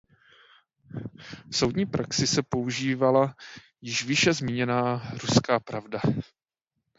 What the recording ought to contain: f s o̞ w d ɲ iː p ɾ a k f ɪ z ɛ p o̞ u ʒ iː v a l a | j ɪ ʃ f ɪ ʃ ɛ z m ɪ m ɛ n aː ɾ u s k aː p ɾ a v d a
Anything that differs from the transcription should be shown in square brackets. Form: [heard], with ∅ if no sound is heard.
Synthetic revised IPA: f s o̞ w d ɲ iː p ɾ a k [s] ɪ [s] ɛ p o̞ u ʒ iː v a l a | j ɪ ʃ [v] ɪ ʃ ɛ z m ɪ [ɲ] ɛ n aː ɾ u s k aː p ɾ a v d a